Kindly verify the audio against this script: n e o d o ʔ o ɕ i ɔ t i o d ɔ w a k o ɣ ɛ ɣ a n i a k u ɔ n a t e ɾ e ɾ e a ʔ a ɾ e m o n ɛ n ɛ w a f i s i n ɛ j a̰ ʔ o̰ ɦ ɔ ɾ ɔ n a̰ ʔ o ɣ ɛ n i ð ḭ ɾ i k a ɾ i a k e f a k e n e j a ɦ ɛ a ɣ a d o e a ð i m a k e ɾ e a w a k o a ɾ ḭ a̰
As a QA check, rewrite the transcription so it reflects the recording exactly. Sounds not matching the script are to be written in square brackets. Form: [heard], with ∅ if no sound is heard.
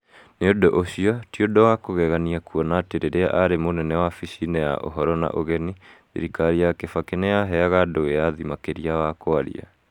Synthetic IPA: n e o d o ʔ o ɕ i ɔ t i o d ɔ w a k o ɣ ɛ ɣ a n i a k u ɔ n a t e ɾ e ɾ e a ʔ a ɾ e m o n ɛ n ɛ w a f i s i n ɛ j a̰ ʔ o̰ ɦ ɔ ɾ ɔ n a̰ ʔ o ɣ ɛ n i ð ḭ ɾ i k a ɾ i a k e f a k e n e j a ɦ ɛ a ɣ a d o e a ð i m a k e ɾ [i] a w a k o a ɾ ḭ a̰